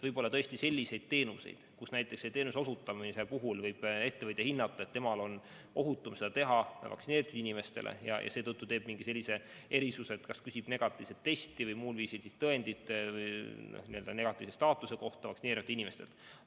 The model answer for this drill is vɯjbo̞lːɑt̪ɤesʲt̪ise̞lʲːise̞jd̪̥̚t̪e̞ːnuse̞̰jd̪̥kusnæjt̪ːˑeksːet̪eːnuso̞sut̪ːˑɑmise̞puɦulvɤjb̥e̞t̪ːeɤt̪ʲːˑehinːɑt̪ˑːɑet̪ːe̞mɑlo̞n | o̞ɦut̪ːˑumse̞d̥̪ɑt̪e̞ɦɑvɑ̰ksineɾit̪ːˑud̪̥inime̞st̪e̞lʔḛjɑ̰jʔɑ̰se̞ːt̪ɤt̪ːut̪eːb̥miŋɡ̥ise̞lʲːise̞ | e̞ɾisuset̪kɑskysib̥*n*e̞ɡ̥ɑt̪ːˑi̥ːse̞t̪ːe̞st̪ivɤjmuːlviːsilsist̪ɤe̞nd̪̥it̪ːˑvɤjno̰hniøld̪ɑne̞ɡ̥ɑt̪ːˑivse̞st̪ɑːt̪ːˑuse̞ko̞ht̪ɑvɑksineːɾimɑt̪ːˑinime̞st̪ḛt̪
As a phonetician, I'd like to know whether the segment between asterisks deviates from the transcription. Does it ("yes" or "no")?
no